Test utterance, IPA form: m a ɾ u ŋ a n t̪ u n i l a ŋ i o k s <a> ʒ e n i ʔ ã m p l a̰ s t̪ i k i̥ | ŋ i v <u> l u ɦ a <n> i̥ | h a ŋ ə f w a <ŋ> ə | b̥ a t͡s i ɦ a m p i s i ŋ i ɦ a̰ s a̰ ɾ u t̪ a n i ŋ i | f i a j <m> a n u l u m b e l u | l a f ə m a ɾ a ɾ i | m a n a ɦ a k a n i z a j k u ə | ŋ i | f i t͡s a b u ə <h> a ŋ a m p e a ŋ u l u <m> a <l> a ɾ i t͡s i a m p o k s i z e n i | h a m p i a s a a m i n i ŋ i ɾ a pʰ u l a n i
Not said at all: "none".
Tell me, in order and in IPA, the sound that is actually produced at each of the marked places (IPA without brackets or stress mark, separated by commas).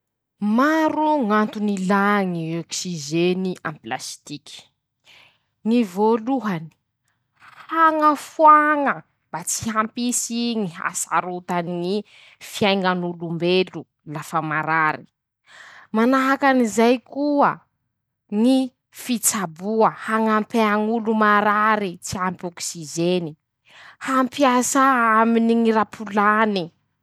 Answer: i, o, n, ŋ, ŋ, h, m, ɾ